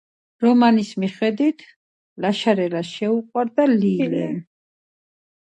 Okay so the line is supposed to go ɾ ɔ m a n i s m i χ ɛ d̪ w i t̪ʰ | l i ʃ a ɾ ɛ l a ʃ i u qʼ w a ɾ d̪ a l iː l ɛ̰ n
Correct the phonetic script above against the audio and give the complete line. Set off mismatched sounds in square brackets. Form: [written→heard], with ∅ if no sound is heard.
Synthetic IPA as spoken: ɾ ɔ m a n i s m i χ ɛ d̪ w i t̪ʰ | l [i→a] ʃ a ɾ ɛ l a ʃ [i→ɛ] u qʼ w a ɾ d̪ a l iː l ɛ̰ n

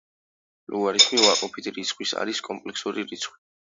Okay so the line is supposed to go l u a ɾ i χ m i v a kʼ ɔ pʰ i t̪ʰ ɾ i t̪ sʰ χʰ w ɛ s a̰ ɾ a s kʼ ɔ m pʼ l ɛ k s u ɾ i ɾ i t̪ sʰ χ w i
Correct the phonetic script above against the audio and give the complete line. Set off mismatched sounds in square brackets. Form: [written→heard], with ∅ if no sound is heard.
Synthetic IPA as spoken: l u a ɾ i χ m i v a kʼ ɔ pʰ i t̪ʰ ɾ i t̪ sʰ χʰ w [ɛ→i] s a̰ ɾ [a→i] s kʼ ɔ m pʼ l ɛ k s u ɾ i ɾ i t̪ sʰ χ w i

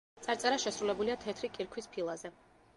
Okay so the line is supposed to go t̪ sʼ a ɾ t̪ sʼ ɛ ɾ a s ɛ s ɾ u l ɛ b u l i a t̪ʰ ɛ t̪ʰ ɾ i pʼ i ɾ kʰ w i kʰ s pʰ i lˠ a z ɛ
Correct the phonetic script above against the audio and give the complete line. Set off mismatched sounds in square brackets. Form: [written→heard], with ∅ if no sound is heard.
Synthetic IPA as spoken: t̪ sʼ a ɾ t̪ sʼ ɛ ɾ a [s→ʃ] ɛ s ɾ u l ɛ b u l i a t̪ʰ ɛ t̪ʰ ɾ i [pʼ→kʼ] i ɾ kʰ w i [kʰ→∅] s pʰ i lˠ a z ɛ

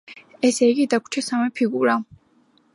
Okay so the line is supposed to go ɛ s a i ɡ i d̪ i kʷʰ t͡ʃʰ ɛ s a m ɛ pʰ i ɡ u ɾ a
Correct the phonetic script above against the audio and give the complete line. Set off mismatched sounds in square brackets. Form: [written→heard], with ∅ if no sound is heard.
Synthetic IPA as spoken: ɛ s [a→ɛ] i ɡ i d̪ [i→a] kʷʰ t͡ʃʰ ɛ s a m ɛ pʰ i ɡ u ɾ a

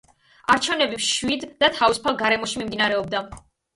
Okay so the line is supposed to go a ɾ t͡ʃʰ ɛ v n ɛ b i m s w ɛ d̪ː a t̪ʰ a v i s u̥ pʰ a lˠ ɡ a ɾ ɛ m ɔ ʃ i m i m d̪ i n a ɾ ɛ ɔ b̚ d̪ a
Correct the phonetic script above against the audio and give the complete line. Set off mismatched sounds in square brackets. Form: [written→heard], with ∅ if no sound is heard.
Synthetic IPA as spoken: a ɾ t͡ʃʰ ɛ v n ɛ b i m [s→ʃ] w [ɛ→i] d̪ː a t̪ʰ a v i s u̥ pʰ a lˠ ɡ a ɾ ɛ m ɔ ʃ i m i m d̪ i n a ɾ ɛ ɔ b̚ d̪ a

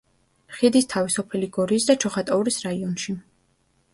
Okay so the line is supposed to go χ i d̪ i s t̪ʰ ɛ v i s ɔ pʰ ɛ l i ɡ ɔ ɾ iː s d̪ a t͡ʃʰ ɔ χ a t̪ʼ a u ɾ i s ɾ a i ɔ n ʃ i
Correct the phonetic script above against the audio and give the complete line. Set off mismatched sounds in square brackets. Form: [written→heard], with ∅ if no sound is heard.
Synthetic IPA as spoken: χ i d̪ i s t̪ʰ [ɛ→a] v i s ɔ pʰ ɛ l i ɡ ɔ ɾ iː s d̪ a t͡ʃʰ ɔ χ a t̪ʼ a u ɾ i s ɾ a i ɔ n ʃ i

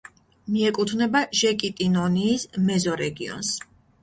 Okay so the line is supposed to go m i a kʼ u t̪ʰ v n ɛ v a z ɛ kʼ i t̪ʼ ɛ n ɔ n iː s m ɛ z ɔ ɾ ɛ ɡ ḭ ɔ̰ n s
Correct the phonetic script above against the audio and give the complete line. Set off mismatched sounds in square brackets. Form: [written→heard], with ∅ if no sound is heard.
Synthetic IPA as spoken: m i [a→ɛ] kʼ u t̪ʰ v n ɛ [v→b] a [z→ʒ] ɛ kʼ i t̪ʼ [ɛ→i] n ɔ n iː s m ɛ z ɔ ɾ ɛ ɡ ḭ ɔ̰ n s

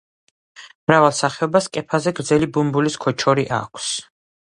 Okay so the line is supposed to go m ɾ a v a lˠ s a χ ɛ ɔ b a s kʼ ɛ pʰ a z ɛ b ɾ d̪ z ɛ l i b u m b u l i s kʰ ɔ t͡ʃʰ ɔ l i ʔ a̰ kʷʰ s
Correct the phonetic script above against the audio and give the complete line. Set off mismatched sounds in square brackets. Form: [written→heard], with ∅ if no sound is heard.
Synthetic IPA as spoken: m ɾ a v a lˠ s a χ ɛ ɔ b a s kʼ ɛ pʰ a z ɛ [b→ɡ] ɾ d̪ z ɛ l i b u m b u l i s kʰ ɔ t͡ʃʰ ɔ [l→ɾ] i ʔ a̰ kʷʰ s

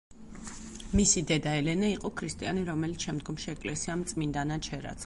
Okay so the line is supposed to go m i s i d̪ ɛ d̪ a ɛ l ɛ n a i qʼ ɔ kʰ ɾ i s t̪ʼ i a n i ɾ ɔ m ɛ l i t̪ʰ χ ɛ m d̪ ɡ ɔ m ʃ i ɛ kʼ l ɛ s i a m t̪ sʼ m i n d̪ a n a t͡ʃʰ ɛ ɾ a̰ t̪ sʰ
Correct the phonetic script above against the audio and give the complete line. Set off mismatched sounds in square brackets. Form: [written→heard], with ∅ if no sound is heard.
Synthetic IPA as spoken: m i s i d̪ ɛ d̪ a ɛ l ɛ n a i qʼ ɔ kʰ ɾ i s t̪ʼ i a n i ɾ ɔ m ɛ l i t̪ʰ [χ→ʃ] ɛ m d̪ ɡ ɔ m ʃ i ɛ kʼ l ɛ s i a m t̪ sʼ m i n d̪ a n a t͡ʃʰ ɛ ɾ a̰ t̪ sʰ

